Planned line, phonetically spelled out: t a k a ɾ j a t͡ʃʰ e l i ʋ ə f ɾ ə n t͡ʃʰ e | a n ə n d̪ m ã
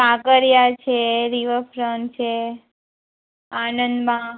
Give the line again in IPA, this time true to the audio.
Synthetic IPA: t a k ə ɾ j a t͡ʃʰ e ɾ i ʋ ə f ɾ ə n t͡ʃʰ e | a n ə n d̪ m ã